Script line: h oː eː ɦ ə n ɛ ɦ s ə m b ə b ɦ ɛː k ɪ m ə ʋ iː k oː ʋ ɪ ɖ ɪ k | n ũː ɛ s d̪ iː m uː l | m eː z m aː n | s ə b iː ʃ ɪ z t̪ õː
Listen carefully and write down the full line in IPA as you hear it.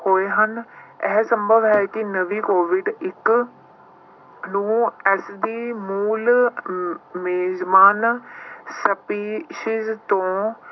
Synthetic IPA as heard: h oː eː ɦ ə n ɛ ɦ s ə m b ə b ɦ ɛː k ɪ n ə ʋ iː k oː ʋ ɪ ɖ ɪ k | n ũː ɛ s d̪ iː m uː l | m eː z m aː n | s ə p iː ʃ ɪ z t̪ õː

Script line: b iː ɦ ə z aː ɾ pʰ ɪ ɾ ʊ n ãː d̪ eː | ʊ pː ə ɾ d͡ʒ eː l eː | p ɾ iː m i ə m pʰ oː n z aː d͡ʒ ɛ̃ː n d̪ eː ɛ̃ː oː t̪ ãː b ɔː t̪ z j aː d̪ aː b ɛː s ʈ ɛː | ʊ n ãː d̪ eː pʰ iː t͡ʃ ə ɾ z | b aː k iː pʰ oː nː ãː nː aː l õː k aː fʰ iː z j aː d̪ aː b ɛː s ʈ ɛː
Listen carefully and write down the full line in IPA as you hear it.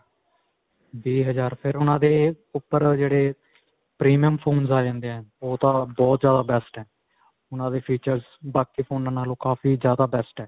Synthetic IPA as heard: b iː ɦ ə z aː ɾ pʰ ɪ ɾ ʊ n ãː d̪ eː | ʊ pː ə ɾ d͡ʒ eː ɽ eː | p ɾ iː m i ə m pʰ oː n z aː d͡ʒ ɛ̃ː n d̪ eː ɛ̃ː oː t̪ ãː b ɔː t̪ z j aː d̪ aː b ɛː s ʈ ɛː | ʊ n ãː d̪ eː pʰ iː t͡ʃ ə ɾ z | b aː k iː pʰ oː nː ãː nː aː l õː k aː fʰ iː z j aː d̪ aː b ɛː s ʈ ɛː

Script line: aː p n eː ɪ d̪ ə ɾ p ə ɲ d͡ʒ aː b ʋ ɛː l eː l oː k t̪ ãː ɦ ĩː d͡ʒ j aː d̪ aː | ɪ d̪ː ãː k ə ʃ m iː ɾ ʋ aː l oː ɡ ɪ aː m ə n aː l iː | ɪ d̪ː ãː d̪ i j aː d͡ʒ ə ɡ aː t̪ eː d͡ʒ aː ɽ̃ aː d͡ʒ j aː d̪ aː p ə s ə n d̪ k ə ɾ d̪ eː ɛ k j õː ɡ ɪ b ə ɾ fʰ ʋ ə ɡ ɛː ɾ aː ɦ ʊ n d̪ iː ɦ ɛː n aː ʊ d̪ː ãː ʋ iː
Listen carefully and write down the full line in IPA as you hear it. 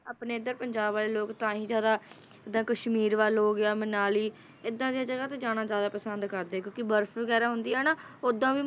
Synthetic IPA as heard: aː p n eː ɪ d̪ ə ɾ p ə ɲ d͡ʒ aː b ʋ aː l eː l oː k t̪ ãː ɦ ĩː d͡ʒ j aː d̪ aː | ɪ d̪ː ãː k ə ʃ m iː ɾ ʋ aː l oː ɡ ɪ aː m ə n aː l iː | ɪ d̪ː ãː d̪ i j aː d͡ʒ ə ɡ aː t̪ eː d͡ʒ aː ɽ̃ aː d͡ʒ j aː d̪ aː p ə s ə n d̪ k ə ɾ d̪ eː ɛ k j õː k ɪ b ə ɾ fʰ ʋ ə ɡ ɛː ɾ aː ɦ ʊ n d̪ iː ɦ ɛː n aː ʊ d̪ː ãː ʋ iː

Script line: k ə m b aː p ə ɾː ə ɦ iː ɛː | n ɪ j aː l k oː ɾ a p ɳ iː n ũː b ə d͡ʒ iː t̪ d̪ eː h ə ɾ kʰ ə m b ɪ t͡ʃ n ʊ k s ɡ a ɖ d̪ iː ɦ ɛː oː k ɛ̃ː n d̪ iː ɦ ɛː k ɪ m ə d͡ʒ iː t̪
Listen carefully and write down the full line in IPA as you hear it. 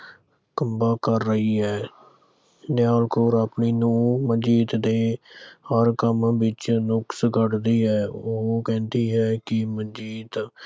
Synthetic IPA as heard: k ə m b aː k ə ɾː ə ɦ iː ɛː | n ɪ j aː l k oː ɾ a p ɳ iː n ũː m ə d͡ʒ iː t̪ d̪ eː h ə ɾ k ə m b ɪ t͡ʃ n ʊ k s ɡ ə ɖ d̪ iː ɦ ɛː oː k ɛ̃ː n d̪ iː ɦ ɛː k ɪ m ə d͡ʒ iː t̪

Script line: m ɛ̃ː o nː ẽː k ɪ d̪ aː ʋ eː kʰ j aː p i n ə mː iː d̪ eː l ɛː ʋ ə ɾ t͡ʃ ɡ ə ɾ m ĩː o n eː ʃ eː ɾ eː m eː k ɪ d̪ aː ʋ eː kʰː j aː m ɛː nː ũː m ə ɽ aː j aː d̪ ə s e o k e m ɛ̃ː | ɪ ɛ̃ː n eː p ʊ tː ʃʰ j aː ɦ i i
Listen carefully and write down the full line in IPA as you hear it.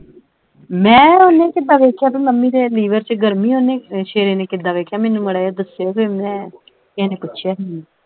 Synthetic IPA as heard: m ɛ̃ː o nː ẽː k ɪ d̪ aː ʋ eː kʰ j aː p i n ə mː iː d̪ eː l iː ʋ ə ɾ t͡ʃ ɡ ə ɾ m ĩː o n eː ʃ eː ɾ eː n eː k ɪ d̪ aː ʋ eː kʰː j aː m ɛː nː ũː m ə ɽ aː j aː d̪ ə s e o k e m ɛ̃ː | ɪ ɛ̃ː n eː p ʊ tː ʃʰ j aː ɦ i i

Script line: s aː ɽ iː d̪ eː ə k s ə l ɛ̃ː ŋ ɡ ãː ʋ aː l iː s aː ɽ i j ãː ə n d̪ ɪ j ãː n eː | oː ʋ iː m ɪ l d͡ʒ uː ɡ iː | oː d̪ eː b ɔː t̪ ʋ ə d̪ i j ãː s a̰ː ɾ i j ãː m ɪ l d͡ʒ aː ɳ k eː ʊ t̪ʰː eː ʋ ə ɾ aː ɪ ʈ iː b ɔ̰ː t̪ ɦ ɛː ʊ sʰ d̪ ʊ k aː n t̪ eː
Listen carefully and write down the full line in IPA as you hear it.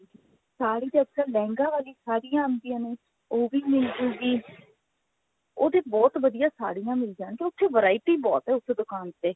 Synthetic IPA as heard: s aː ɽ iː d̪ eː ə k s ə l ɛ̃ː ŋ ɡ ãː ʋ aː l iː s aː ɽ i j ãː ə n d̪ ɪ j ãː n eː | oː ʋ iː m ɪ l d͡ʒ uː ɡ iː | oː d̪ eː b ɔː t̪ ʋ ə d̪ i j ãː s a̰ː ɽ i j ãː m ɪ l d͡ʒ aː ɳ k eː ʊ t̪ʰː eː ʋ ə ɾ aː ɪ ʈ iː b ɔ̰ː t̪ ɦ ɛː ʊ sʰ d̪ ʊ k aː n t̪ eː

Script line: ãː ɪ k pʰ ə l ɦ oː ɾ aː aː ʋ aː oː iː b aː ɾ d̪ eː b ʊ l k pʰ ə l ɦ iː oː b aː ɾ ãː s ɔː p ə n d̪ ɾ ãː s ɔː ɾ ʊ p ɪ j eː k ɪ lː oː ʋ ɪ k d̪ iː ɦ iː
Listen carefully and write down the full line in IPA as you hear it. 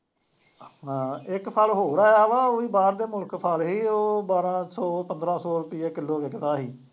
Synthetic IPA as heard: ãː ɪ k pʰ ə l ɦ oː ɾ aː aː ʋ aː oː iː b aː ɾ d̪ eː m ʊ l k pʰ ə l ɦ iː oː b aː ɾ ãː s ɔː p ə n d̪ ɾ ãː s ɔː ɾ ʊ p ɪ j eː k ɪ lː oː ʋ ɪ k d̪ aː ɦ iː

